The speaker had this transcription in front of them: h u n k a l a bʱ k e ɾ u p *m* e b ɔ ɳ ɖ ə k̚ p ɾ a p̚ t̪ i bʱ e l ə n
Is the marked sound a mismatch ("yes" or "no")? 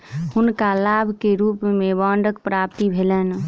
no